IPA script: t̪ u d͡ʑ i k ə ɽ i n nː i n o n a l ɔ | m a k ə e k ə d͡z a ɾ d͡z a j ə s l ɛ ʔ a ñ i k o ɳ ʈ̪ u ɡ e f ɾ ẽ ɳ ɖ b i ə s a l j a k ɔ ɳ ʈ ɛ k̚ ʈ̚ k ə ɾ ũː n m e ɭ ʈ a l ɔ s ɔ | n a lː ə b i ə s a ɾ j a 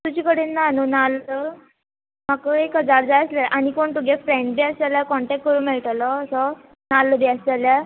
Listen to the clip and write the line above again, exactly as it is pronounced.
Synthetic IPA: t̪ u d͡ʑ i k ə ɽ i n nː a n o n a l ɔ | m a k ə e k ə d͡z a ɾ d͡z a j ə s l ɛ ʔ a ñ i k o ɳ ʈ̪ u ɡ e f ɾ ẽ ɳ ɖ b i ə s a l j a k ɔ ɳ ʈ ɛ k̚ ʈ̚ k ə ɾ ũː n m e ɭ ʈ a l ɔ s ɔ | n a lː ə b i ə s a l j a